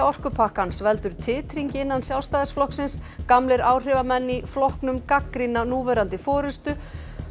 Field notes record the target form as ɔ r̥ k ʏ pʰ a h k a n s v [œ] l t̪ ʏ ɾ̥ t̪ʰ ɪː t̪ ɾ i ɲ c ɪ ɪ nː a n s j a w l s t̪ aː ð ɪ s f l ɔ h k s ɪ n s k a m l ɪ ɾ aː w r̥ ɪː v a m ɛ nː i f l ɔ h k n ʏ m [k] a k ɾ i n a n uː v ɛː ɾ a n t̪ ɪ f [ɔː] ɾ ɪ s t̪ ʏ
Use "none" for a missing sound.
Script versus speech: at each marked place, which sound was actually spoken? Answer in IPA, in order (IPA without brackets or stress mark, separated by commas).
ɛ, k, ɔː